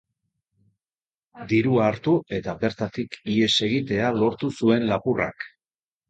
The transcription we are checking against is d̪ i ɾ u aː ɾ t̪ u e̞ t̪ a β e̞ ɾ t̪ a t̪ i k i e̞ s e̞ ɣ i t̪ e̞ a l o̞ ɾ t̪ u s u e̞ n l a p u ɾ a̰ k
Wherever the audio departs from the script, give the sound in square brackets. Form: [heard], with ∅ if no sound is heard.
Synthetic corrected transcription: d̪ i ɾ u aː ɾ t̪ u e̞ t̪ a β e̞ ɾ t̪ a t̪ i k i e̞ s e̞ ɣ i t̪ e̞ a l o̞ ɾ t̪ u s u e̞ n l a p u [r] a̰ k